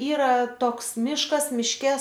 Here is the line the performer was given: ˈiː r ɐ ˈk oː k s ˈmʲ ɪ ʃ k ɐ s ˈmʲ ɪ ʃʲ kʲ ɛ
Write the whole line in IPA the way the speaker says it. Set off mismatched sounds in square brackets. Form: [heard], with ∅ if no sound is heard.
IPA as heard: ˈiː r ɐ [ˈt] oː k s ˈmʲ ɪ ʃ k ɐ s ˈmʲ ɪ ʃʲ kʲ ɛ